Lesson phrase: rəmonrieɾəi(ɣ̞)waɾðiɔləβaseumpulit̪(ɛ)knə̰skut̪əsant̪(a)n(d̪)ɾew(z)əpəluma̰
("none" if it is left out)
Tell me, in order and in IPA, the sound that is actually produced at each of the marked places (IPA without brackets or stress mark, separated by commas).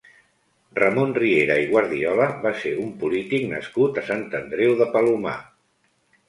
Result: ɣ̞, i, ə, d̪, ð